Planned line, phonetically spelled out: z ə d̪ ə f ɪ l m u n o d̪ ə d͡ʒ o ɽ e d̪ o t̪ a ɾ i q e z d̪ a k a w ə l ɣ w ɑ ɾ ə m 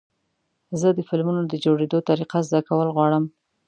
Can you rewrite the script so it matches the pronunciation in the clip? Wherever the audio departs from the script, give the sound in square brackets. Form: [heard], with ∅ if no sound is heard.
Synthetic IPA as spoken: z ə d̪ ə f ɪ l m u n o d̪ ə d͡ʒ o ɽ e d̪ o t̪ a ɾ i q [a] z d̪ a k a w ə l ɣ w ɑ [ɽ] ə m